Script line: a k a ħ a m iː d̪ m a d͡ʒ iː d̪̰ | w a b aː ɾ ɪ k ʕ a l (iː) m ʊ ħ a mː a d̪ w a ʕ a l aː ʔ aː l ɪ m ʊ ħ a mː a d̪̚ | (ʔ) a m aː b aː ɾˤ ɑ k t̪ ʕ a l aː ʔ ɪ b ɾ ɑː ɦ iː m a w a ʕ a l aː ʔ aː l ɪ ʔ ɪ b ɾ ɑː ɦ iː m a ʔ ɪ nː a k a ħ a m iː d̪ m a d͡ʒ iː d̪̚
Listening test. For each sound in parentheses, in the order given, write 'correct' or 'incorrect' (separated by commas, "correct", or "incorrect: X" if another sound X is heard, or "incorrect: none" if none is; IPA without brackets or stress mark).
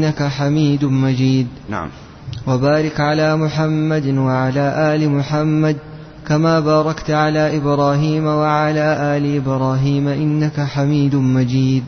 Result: incorrect: aː, incorrect: k